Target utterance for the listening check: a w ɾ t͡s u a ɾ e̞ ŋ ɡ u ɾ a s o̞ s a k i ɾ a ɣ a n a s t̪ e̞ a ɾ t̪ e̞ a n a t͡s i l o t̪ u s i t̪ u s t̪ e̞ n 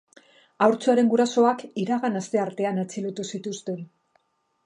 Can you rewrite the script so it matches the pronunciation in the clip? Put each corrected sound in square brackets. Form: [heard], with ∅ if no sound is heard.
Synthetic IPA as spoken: a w ɾ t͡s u a ɾ e̞ ŋ ɡ u ɾ a s o̞ [∅] a k i ɾ a ɣ a n a s t̪ e̞ a ɾ t̪ e̞ a n a t͡s i l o t̪ u s i t̪ u s t̪ e̞ n